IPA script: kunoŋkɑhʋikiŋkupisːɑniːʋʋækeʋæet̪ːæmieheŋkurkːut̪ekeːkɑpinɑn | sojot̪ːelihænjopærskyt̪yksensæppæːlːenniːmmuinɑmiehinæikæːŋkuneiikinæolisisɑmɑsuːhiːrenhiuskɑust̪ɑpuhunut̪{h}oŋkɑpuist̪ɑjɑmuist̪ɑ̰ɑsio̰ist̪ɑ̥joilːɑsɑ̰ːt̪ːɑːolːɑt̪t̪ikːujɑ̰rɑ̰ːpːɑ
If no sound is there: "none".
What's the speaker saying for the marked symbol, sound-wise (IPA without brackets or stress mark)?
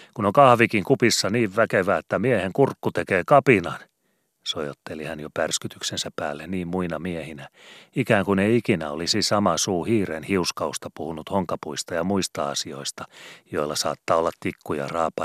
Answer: h